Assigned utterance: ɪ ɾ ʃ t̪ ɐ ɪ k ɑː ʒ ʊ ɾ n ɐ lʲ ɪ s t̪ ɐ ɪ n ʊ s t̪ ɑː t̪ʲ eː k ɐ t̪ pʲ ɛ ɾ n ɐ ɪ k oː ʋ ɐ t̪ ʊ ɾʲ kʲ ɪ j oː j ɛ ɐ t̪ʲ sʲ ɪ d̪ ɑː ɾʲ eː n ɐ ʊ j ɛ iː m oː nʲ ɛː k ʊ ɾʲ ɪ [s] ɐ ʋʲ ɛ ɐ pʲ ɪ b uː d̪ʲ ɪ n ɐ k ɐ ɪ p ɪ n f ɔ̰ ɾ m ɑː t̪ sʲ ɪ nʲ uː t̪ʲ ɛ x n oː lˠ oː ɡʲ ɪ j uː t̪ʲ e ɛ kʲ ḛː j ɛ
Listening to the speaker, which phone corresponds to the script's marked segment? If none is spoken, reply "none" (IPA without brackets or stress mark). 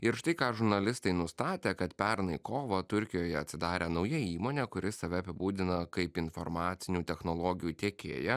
s